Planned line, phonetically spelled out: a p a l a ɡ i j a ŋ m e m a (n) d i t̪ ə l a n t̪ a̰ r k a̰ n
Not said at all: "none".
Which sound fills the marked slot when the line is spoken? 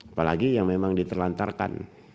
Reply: ŋ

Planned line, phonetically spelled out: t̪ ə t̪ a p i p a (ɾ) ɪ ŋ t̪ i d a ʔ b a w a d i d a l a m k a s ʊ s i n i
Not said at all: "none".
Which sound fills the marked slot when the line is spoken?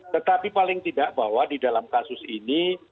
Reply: l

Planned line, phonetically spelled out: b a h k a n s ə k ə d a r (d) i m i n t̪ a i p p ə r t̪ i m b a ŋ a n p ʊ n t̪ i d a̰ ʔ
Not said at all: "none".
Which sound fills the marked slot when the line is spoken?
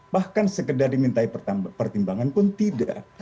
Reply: d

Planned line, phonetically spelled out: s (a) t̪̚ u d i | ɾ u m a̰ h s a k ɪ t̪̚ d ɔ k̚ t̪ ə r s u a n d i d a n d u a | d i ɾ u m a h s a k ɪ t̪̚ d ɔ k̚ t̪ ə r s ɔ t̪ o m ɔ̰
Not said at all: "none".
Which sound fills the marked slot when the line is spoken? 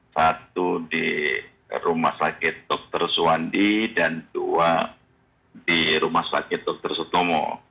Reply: a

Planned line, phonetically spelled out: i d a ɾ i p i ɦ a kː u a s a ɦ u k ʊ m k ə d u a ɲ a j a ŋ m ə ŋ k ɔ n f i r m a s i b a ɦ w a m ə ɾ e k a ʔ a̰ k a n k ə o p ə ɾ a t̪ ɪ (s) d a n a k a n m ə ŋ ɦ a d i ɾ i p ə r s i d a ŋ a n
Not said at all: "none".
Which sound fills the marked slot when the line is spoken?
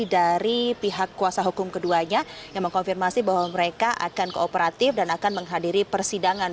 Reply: f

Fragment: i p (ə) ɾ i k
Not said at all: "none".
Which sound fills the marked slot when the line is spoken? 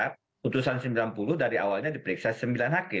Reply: ə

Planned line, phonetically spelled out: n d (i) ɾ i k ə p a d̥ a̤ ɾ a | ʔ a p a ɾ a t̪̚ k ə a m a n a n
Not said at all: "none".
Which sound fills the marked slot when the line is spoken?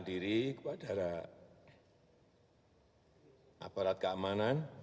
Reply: i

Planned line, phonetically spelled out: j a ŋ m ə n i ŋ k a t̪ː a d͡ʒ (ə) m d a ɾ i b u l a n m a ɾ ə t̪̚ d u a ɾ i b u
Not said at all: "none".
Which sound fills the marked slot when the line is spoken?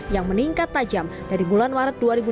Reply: a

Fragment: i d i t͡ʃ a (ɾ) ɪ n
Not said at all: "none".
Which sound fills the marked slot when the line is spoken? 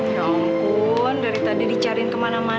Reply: ɾ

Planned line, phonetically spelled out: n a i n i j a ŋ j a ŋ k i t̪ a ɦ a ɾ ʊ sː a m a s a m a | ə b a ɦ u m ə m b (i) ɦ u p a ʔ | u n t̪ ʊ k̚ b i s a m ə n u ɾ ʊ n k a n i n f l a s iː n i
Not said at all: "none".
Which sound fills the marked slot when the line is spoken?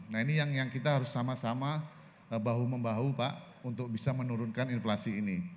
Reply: a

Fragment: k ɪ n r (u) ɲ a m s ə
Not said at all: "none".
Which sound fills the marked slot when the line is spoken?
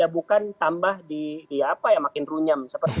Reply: u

